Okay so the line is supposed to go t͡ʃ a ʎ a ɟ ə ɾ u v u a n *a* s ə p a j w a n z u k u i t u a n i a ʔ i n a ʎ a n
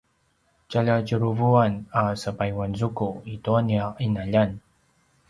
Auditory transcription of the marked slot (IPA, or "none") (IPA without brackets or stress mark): a